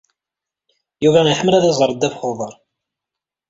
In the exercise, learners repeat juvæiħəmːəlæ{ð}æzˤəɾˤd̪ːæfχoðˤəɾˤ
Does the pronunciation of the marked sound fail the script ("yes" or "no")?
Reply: no